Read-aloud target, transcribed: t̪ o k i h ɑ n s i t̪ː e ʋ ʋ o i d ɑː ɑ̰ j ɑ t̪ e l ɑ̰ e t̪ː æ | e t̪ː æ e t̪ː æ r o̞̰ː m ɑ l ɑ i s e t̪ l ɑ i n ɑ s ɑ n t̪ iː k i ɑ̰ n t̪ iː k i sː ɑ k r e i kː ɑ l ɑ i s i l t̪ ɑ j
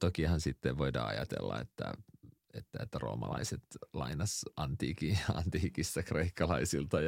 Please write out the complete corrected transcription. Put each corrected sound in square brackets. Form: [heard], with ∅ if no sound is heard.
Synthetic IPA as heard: t̪ o k i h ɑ n s i t̪ː e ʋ ʋ o i d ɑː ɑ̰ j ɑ t̪ e [lː] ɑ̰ e t̪ː æ | e t̪ː æ e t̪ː æ r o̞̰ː m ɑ l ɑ i s e t̪ l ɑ i n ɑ s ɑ n t̪ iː k i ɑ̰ n t̪ iː k i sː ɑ k r e i kː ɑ l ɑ i s i l t̪ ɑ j